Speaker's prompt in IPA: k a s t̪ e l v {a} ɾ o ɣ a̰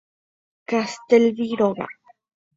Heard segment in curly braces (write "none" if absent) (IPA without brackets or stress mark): i